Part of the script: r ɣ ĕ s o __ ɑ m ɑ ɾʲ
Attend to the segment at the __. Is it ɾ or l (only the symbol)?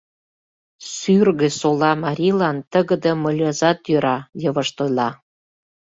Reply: l